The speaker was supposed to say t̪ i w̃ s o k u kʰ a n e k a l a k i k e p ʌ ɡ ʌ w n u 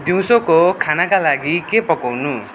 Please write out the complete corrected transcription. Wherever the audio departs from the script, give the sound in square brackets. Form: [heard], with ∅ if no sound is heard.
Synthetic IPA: [d̪] i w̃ s o k [o] kʰ a n [a] k a l a [ɡ] i k e p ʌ [k] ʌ w n u